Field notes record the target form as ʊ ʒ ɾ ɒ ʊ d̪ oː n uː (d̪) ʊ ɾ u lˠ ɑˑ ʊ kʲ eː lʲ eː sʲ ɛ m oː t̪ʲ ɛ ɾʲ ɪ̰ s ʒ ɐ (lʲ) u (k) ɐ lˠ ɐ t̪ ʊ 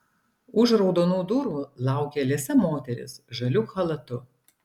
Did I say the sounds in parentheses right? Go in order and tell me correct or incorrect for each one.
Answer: correct, correct, incorrect: x

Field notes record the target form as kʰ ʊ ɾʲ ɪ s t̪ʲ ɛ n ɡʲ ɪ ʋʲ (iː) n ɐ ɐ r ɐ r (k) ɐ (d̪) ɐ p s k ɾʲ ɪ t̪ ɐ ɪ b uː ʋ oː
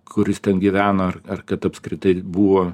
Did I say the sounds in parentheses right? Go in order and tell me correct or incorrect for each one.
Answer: incorrect: æː, correct, incorrect: t̪

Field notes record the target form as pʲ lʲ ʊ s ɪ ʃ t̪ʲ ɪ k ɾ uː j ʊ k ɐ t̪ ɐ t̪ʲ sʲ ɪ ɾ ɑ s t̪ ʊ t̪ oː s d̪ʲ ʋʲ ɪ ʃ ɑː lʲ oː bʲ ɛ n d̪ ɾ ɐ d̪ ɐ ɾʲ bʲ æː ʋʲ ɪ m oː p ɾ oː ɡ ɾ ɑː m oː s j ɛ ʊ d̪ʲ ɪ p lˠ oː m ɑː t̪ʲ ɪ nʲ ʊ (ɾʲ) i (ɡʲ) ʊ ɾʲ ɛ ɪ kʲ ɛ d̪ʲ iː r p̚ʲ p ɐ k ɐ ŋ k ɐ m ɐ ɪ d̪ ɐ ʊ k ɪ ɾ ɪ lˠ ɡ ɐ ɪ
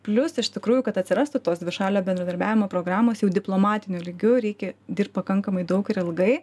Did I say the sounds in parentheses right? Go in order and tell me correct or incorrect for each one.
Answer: incorrect: lʲ, correct

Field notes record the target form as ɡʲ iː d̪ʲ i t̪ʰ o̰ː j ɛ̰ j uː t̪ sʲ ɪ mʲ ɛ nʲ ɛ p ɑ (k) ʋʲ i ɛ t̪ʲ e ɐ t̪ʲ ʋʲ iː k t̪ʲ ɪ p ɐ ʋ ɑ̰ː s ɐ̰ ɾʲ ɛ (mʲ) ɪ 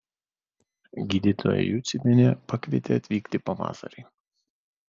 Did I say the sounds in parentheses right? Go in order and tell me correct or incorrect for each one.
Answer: correct, incorrect: none

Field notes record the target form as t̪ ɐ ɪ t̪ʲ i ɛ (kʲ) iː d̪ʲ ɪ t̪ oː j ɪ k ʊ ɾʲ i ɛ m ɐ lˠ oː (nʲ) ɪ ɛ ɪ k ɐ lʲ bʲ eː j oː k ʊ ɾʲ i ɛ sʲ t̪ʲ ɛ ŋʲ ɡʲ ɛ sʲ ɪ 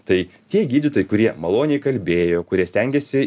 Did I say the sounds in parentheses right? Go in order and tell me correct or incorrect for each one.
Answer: incorrect: ɡʲ, correct

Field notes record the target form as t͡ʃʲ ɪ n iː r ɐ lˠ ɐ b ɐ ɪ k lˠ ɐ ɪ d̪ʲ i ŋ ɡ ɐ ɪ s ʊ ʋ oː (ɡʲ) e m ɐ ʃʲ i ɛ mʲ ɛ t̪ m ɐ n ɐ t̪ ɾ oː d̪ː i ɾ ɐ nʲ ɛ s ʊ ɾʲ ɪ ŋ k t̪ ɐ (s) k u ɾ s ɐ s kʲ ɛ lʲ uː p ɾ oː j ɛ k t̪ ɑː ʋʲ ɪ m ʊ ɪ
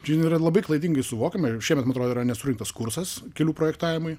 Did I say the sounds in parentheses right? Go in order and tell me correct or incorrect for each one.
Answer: incorrect: kʲ, correct

